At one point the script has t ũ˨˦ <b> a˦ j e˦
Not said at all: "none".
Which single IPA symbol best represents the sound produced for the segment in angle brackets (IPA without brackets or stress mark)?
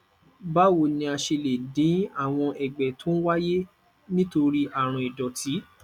w